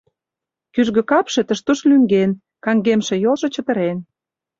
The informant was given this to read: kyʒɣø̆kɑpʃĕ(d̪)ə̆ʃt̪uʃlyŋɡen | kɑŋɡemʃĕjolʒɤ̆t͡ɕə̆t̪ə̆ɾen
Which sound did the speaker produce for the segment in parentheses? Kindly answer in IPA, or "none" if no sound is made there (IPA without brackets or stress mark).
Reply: t̪